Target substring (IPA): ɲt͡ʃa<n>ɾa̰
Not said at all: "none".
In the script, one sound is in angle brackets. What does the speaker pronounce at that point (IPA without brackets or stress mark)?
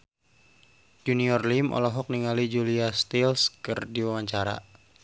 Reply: none